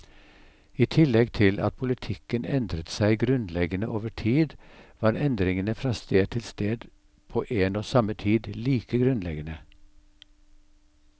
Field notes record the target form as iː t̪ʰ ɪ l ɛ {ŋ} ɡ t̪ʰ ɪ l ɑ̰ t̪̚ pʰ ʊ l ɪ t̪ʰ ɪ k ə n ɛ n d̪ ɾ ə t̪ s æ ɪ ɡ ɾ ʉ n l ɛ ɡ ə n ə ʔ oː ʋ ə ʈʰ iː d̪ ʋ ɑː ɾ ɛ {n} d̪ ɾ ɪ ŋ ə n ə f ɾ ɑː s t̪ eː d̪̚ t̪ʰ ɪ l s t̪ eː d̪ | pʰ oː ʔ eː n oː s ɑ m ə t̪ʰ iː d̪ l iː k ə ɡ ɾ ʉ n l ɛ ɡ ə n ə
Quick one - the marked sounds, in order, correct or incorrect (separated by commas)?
incorrect, correct